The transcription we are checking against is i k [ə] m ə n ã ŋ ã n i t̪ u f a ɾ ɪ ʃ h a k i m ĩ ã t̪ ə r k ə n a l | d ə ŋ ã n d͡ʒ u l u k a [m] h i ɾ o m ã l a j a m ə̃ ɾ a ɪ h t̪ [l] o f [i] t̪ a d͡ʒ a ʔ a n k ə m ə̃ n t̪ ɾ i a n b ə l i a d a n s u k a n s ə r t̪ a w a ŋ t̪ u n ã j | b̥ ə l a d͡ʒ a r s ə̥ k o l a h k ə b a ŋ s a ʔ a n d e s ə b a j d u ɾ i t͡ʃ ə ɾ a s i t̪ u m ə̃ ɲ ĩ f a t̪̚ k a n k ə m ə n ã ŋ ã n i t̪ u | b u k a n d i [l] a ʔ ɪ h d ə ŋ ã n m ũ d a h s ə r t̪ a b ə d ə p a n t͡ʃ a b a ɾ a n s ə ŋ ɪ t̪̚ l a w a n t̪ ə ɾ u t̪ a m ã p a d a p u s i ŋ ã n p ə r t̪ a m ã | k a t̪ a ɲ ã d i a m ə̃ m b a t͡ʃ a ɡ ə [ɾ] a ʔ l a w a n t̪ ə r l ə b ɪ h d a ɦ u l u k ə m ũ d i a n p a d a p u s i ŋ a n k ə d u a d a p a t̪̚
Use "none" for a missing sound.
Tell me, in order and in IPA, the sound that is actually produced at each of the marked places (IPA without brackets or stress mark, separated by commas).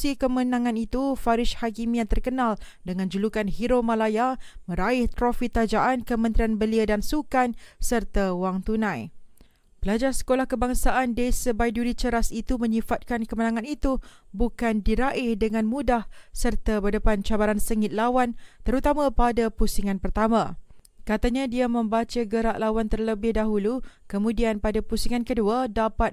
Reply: ə, n, ɾ, i, ɾ, ɾ